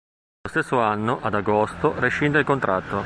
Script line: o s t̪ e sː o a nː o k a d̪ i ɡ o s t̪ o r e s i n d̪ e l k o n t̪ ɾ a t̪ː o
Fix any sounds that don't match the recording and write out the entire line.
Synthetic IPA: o s t̪ e sː o a nː o ʔ a d̪ a ɡ o s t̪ o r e ʃ i n d̪ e l k o n t̪ ɾ a t̪ː o